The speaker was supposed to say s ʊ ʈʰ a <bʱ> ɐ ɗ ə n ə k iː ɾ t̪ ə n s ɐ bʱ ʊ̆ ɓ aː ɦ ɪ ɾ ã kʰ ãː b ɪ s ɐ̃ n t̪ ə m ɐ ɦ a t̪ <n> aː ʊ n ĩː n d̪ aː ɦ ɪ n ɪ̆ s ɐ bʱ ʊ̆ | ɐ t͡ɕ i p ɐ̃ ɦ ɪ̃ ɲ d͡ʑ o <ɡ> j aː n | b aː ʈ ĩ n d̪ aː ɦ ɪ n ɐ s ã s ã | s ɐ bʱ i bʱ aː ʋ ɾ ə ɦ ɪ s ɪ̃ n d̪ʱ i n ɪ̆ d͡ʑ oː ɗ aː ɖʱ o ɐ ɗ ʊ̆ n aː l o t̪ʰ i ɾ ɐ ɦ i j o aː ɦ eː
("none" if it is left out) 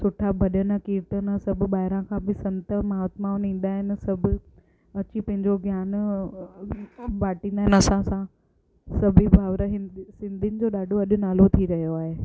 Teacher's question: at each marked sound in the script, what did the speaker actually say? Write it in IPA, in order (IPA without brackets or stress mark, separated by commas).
bʱ, m, ɡ